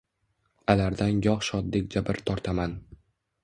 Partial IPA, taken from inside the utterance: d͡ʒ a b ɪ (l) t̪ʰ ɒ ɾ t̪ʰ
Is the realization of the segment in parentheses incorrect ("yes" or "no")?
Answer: yes